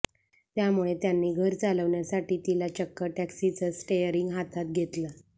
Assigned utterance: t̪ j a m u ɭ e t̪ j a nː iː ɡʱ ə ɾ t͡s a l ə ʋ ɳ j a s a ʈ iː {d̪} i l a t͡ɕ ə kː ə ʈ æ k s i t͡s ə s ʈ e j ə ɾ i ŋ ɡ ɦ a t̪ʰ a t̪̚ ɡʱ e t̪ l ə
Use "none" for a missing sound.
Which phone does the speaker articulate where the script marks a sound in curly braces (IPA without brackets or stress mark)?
t̪